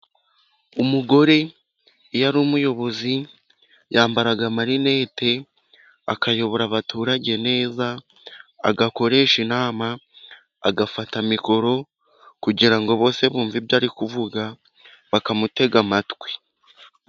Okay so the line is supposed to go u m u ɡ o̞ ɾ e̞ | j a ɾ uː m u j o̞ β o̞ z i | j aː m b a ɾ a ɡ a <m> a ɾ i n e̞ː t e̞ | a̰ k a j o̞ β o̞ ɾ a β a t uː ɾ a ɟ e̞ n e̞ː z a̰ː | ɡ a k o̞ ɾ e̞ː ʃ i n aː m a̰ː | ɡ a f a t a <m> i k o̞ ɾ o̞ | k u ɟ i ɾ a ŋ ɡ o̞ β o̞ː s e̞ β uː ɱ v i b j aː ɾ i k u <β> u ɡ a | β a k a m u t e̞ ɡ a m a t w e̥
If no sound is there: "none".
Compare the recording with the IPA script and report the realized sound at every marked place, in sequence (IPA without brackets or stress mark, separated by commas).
m, m, v